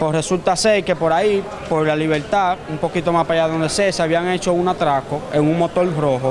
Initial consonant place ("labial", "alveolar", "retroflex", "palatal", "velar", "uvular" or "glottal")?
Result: labial